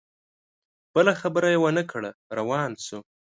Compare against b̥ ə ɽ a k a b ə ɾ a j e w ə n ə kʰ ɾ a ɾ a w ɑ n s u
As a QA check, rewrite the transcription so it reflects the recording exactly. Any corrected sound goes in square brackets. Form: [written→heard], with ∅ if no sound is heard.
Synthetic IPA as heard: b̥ ə [ɽ→l] a [k→x] a b ə ɾ a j e w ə n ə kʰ [ɾ→ɽ] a ɾ a w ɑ n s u